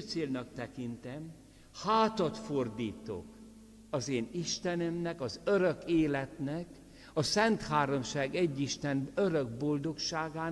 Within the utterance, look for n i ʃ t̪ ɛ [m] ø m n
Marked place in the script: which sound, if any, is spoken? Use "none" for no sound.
n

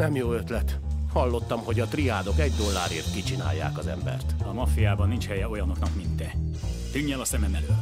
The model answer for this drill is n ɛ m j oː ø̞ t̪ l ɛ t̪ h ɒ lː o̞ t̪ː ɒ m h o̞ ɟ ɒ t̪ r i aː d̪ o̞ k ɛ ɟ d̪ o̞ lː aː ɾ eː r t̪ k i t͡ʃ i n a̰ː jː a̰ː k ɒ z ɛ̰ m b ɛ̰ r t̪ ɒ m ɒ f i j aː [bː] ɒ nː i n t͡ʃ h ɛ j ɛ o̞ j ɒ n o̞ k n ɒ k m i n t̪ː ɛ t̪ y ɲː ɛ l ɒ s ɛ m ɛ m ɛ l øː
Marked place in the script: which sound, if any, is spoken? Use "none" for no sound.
b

